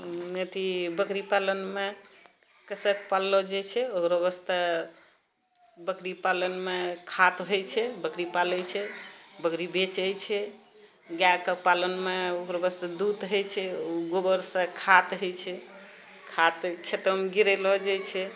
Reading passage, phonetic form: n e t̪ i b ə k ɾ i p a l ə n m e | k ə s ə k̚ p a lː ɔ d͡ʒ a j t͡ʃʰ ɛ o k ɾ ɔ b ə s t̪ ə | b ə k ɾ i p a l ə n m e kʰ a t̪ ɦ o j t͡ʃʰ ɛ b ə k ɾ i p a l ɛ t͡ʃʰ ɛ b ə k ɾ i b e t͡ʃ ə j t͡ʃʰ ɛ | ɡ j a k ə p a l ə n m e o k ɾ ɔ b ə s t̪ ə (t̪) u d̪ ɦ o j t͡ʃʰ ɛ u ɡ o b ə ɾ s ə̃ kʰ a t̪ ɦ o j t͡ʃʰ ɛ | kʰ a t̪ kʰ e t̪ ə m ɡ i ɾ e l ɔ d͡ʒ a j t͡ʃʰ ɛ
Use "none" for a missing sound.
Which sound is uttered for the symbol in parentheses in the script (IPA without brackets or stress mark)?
d̪